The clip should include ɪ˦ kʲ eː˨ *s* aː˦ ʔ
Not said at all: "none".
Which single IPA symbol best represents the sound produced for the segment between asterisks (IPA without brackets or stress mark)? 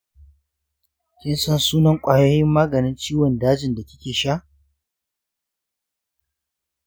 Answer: ʃ